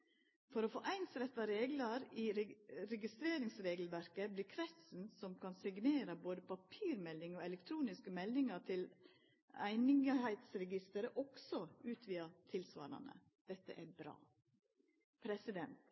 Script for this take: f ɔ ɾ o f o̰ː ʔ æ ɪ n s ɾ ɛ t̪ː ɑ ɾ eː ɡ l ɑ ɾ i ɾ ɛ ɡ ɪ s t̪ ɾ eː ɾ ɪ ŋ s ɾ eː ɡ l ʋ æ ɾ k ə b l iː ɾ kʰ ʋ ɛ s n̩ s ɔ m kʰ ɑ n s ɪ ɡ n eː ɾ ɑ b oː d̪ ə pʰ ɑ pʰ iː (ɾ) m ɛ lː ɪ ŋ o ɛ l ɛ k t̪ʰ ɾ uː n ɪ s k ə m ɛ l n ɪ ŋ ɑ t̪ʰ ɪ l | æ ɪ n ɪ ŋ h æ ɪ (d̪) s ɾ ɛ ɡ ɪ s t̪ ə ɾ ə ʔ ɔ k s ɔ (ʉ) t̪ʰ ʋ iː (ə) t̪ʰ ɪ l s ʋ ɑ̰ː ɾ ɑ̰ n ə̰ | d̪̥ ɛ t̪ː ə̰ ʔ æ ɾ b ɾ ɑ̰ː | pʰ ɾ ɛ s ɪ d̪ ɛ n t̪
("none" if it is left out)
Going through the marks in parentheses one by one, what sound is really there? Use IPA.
ɾ, t̪, ʉː, ɑ

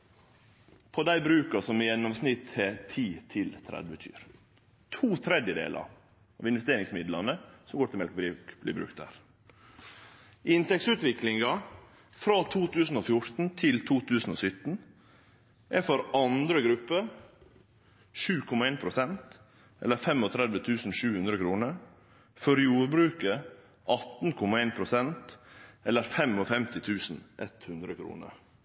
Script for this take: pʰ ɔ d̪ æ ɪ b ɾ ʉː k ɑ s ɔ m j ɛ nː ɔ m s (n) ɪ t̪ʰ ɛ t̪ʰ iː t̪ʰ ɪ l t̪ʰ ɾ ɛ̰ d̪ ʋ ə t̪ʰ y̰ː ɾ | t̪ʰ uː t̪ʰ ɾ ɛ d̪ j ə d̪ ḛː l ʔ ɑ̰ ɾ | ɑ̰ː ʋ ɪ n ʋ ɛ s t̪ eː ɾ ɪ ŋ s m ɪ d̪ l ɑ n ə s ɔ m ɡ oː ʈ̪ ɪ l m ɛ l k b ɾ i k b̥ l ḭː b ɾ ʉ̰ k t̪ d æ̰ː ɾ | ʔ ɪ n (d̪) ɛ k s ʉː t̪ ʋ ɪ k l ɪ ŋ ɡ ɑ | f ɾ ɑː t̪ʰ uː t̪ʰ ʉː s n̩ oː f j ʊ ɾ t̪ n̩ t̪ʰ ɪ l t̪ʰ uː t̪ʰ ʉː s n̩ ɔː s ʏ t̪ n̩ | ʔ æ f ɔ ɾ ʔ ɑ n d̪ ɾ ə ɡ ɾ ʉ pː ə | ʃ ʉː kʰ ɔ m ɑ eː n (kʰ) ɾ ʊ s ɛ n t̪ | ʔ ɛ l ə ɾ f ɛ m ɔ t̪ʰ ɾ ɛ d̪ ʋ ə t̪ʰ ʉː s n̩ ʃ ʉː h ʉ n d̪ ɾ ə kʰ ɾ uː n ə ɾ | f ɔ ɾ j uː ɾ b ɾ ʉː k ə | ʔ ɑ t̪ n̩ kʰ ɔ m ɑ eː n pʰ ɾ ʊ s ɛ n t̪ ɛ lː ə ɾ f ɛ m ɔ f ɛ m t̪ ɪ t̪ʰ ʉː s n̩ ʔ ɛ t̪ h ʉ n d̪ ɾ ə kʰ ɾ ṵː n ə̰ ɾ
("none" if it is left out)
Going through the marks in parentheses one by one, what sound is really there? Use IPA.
n, t̪, pʰ

